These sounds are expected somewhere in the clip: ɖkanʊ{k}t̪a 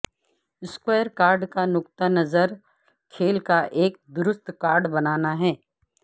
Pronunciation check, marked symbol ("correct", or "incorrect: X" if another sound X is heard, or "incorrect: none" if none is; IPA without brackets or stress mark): correct